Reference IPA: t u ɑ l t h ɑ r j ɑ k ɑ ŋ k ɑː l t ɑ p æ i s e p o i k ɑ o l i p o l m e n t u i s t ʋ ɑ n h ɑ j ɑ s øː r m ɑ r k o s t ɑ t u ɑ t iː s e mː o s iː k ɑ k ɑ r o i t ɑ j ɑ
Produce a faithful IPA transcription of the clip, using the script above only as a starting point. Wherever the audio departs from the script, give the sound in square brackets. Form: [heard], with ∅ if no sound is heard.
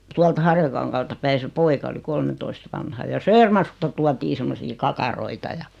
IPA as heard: t u ɑ l t h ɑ r j ɑ k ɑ ŋ k ɑː l t ɑ p æ i s e p o i k ɑ o l i [k] o l m e n t [o] i s t ʋ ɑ n h ɑ j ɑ s øː r m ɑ r k [u] s t ɑ t u ɑ t iː s e mː o s iː k ɑ k ɑ r o i t ɑ j ɑ